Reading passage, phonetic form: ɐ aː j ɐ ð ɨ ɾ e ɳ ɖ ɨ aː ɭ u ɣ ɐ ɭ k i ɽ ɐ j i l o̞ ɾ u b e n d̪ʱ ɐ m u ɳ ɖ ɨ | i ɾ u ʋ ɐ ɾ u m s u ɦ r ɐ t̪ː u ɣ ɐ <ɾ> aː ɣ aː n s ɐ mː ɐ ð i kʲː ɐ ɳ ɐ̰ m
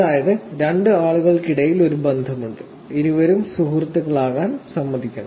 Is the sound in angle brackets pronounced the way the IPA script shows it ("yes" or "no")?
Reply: no